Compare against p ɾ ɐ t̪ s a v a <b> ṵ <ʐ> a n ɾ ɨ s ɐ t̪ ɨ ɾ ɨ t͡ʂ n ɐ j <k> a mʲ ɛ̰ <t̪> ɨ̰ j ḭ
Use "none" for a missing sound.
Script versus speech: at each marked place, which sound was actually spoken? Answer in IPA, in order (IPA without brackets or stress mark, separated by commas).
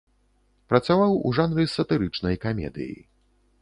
w, ʐ, k, d̪